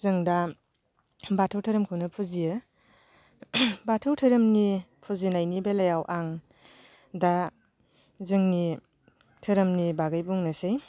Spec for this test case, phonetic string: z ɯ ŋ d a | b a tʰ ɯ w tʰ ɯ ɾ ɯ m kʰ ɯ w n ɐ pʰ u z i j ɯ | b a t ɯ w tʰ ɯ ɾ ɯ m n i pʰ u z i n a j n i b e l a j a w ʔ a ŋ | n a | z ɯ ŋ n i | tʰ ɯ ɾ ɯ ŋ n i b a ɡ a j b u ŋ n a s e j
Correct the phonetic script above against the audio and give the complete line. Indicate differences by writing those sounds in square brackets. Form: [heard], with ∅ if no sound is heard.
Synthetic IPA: z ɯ ŋ d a | b a tʰ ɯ w tʰ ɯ ɾ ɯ m kʰ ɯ w n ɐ pʰ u z i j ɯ | b a [tʰ] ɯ w tʰ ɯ ɾ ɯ m n i pʰ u z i n a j n i b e l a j a w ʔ a ŋ | [d] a | z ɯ ŋ n i | tʰ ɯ ɾ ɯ [m] n i b a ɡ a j b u ŋ n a s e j